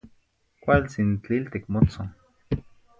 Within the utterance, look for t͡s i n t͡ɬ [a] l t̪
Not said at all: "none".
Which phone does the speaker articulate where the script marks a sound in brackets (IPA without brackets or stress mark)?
i